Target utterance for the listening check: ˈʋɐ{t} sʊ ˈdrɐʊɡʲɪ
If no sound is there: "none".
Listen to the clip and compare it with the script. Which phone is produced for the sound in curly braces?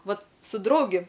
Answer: t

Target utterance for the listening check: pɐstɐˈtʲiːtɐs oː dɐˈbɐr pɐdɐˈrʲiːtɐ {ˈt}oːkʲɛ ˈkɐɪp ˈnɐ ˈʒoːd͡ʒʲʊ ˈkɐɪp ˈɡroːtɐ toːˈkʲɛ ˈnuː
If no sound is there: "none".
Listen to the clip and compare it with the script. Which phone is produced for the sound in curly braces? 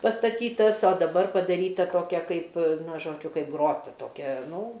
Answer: t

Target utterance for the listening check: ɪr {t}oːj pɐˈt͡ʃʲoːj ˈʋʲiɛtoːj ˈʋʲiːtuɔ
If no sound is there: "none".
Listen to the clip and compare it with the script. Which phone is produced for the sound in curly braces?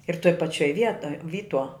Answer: t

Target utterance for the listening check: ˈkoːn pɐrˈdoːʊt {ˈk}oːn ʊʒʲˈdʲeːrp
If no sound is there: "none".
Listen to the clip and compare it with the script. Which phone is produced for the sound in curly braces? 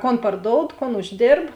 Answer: k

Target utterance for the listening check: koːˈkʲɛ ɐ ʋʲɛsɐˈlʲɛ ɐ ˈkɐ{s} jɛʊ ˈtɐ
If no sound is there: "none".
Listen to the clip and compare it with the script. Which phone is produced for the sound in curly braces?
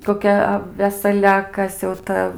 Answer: s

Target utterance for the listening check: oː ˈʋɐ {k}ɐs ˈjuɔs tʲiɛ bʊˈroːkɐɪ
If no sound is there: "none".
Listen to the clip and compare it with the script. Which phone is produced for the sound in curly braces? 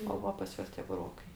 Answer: p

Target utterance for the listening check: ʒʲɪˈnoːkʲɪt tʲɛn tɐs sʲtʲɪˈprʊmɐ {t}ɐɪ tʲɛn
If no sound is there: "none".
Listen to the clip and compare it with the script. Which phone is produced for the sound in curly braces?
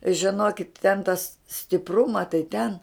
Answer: t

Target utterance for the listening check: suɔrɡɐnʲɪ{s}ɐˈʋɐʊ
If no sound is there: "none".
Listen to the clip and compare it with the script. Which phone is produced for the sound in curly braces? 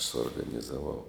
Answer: z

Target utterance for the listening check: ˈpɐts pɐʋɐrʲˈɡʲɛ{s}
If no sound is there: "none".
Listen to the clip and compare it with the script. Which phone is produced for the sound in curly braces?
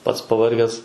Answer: s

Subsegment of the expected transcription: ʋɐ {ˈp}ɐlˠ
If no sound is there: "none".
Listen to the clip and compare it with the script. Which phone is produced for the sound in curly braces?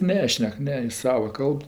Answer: k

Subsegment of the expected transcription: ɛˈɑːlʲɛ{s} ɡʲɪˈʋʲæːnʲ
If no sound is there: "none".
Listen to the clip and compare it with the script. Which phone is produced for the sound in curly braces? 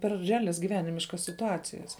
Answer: s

